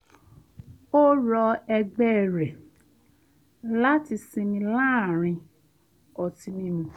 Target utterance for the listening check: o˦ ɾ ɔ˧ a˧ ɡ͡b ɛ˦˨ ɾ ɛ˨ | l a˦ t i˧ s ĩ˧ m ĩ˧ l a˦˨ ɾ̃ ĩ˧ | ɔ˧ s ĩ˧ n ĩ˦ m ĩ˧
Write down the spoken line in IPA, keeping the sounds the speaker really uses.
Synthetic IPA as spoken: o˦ ɾ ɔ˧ ɛ˧ ɡ͡b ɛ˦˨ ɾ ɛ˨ | l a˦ t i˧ s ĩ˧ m ĩ˧ l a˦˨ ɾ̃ ĩ˧ | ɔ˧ t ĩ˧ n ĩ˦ m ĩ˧